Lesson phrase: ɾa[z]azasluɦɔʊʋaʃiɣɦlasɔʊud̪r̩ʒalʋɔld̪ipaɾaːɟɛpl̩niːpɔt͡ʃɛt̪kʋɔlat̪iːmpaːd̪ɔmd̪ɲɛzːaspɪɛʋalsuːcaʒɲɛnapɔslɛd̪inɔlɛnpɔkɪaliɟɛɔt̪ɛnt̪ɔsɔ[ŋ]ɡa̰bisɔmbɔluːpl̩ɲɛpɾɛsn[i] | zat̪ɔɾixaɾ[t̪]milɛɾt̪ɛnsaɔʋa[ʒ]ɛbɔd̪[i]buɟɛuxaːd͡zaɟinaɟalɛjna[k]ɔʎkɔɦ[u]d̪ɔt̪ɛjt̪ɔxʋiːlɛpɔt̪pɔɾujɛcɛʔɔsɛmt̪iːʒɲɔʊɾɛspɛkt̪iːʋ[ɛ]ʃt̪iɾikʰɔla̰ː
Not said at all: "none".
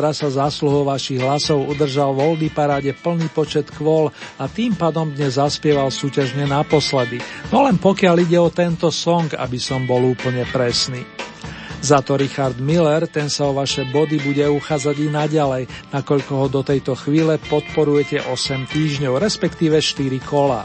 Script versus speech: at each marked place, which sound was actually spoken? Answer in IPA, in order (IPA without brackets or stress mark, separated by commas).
s, ŋ, iː, d̪, ʃ, i, k, ɔ, ɛ